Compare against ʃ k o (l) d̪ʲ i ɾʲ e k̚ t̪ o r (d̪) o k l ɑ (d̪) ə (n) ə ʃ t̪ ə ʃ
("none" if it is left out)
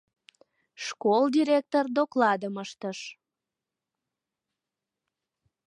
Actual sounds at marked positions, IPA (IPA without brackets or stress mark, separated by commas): l, d̪, d̪, m